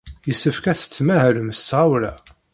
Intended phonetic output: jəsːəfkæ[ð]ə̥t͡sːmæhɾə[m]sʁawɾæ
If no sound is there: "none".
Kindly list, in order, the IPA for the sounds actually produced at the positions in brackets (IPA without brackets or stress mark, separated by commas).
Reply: θ, m